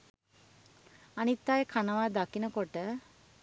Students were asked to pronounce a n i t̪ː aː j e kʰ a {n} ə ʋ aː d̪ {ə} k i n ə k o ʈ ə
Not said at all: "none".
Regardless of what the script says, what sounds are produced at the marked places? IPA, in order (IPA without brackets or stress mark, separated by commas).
n, a